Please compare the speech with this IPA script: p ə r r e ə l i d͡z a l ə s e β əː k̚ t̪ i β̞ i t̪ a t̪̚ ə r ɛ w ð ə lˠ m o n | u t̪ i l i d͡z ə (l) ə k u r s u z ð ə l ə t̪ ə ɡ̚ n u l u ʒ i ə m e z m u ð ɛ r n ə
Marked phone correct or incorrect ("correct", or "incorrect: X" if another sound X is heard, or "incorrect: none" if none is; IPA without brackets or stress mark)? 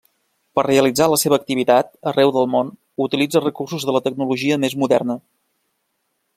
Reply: incorrect: r